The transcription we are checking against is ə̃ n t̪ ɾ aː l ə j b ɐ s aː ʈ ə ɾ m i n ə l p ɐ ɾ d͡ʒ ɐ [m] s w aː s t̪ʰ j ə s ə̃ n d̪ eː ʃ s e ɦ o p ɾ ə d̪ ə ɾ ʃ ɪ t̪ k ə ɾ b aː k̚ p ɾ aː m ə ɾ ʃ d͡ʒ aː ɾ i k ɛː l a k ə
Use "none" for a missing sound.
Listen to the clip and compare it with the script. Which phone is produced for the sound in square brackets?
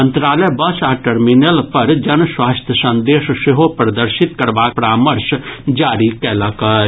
n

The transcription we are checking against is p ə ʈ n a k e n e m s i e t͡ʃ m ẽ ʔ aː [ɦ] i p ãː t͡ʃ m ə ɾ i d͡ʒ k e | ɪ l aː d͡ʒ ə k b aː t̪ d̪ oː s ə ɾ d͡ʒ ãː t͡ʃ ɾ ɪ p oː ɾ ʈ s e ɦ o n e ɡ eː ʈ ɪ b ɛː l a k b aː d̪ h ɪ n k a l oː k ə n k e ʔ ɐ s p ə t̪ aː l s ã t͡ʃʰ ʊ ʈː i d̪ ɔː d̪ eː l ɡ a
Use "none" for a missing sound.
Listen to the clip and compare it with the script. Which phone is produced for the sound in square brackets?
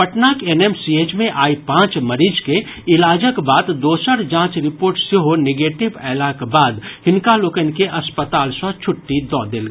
none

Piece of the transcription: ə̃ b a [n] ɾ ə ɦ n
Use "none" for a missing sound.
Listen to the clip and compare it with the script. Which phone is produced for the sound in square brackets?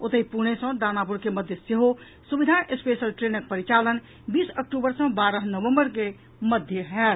none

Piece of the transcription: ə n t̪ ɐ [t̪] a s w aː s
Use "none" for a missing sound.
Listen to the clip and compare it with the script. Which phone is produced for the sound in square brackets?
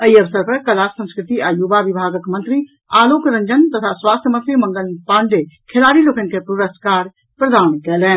t̪ʰ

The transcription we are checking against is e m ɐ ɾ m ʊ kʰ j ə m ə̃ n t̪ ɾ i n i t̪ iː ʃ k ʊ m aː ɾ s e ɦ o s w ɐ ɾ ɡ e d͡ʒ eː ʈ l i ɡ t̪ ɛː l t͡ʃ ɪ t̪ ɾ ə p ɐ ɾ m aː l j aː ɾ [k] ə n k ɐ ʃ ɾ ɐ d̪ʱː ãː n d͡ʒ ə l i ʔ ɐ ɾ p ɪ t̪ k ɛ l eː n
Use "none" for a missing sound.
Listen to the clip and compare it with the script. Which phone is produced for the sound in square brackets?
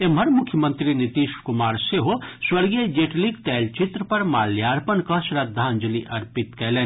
p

